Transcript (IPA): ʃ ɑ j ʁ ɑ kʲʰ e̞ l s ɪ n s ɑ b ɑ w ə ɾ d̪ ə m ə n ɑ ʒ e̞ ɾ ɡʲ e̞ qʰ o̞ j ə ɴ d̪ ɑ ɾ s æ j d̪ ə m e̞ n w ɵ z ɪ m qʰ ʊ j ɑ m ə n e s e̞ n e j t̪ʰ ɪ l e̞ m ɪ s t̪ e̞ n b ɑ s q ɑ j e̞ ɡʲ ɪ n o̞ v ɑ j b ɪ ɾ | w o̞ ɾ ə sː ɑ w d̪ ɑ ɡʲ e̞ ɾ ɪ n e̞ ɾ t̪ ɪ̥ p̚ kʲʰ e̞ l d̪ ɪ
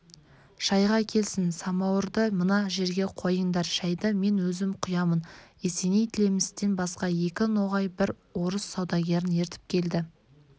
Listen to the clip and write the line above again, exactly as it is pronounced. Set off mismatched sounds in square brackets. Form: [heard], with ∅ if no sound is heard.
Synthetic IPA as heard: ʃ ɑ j ʁ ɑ kʲʰ e̞ l s ɪ n s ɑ [m] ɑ w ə ɾ d̪ ə m ə n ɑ ʒ e̞ ɾ ɡʲ e̞ qʰ o̞ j ə ɴ d̪ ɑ ɾ [ʃ] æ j d̪ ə m e̞ n w ɵ z ɪ m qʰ ʊ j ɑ m ə n e s e̞ n e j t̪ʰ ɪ l e̞ m ɪ s t̪ e̞ n b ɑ s q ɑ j e̞ [kʲ] ɪ n o̞ [ʁ] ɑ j b ɪ ɾ | w o̞ ɾ ə sː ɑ w d̪ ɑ ɡʲ e̞ ɾ ɪ n e̞ ɾ t̪ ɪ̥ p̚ kʲʰ e̞ l d̪ ɪ